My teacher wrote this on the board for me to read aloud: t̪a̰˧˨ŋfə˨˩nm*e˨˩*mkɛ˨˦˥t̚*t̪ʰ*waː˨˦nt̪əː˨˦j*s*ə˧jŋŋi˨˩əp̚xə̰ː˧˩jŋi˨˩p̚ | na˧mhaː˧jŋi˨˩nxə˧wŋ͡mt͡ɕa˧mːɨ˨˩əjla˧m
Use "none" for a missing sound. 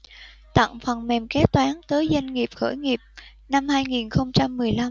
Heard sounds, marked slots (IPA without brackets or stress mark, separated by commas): ɛ˨˩, t̪, z